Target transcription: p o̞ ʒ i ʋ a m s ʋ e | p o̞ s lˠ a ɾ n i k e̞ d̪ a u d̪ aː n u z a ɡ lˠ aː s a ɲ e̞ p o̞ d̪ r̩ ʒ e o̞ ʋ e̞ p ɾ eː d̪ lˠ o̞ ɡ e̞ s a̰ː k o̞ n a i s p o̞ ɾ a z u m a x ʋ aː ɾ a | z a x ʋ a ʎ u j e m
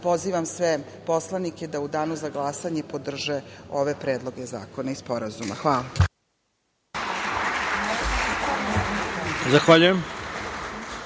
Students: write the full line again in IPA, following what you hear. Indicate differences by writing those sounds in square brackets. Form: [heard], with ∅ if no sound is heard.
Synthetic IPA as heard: p o̞ [z] i ʋ a m s ʋ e | p o̞ s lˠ a [∅] n i k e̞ d̪ a u d̪ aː n u z a ɡ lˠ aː s a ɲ e̞ p o̞ d̪ r̩ ʒ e o̞ ʋ e̞ p ɾ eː d̪ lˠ o̞ ɡ e̞ [z] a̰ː k o̞ n a i s p o̞ ɾ a z u m a x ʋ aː [l] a | z a x ʋ a ʎ u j e m